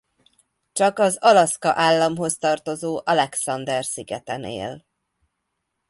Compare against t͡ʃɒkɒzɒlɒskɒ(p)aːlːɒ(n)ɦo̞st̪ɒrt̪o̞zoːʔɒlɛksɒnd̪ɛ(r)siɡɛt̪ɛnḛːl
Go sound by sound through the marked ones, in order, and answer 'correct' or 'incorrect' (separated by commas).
incorrect, incorrect, correct